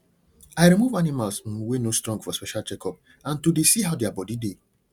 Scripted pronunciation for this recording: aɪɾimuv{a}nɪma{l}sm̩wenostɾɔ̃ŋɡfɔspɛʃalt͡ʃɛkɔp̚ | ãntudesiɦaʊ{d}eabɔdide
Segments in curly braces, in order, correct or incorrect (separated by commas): correct, correct, correct